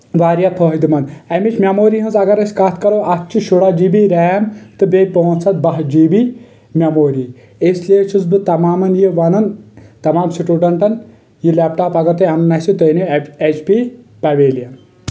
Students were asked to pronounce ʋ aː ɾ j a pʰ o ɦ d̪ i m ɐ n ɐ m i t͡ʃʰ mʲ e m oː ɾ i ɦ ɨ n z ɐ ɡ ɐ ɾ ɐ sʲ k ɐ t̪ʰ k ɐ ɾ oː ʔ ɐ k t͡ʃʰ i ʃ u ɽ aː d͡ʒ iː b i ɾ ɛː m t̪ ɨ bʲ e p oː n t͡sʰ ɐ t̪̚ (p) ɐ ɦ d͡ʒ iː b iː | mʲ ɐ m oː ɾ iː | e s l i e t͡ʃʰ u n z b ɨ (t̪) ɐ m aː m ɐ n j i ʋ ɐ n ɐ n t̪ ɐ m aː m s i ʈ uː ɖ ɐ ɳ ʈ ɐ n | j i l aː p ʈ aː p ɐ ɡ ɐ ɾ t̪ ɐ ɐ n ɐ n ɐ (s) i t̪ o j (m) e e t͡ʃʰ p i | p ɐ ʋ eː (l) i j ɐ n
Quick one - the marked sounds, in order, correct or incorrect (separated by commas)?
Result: incorrect, correct, correct, incorrect, correct